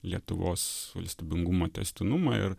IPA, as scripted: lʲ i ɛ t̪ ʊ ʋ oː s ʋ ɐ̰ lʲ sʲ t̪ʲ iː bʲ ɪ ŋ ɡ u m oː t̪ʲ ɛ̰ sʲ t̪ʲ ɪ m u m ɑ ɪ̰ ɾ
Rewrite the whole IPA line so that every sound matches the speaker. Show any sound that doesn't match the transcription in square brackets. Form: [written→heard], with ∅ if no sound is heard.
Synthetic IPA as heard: lʲ i ɛ t̪ ʊ ʋ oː s ʋ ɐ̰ lʲ sʲ t̪ʲ iː bʲ ɪ ŋ ɡ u m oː t̪ʲ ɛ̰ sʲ t̪ʲ ɪ [m→n] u m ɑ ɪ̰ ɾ